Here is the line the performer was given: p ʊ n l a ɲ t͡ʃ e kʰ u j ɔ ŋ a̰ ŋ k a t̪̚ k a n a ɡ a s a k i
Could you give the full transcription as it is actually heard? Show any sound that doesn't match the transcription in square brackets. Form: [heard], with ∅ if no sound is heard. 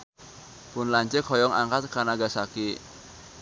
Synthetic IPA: p ʊ n l a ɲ t͡ʃ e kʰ [ɔ] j ɔ ŋ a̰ ŋ k a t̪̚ k a n a ɡ a s a k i